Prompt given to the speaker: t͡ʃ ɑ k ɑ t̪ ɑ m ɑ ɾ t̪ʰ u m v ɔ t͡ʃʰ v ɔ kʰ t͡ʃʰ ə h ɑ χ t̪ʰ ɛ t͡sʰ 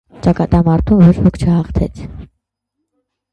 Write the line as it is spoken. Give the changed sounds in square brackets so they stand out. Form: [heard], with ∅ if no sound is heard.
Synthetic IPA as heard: t͡ʃ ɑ k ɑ t̪ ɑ m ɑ ɾ t̪ʰ u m v ɔ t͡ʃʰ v ɔ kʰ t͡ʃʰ ə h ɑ χ t̪ʰ ɛ t͡sʰ